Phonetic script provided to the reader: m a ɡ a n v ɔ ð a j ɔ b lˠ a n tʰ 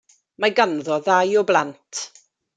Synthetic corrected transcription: m a ɡ a n ð ɔ ð a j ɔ b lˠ a n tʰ